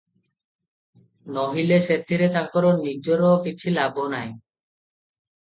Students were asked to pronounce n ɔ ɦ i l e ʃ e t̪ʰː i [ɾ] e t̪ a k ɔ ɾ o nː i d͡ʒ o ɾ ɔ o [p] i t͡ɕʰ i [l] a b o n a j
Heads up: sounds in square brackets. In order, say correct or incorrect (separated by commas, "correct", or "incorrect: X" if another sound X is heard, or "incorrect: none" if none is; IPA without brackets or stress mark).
correct, incorrect: k, correct